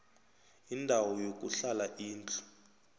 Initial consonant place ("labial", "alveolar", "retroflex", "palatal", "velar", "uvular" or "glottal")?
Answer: alveolar